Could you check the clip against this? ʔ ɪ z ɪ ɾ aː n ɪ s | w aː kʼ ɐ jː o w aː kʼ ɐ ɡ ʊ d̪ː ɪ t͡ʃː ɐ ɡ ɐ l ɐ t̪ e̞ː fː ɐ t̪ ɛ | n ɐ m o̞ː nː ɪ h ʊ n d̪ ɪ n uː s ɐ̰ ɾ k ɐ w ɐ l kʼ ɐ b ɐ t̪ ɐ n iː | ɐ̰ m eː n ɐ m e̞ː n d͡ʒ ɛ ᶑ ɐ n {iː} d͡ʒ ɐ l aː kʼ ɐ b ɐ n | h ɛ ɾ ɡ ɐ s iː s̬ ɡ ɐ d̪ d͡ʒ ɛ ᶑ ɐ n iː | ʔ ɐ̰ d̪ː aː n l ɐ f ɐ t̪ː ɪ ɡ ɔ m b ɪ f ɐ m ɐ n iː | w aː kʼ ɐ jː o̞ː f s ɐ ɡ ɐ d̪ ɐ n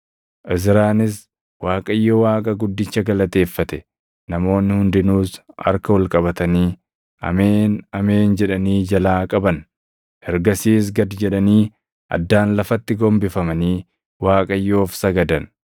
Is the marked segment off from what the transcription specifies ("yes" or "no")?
no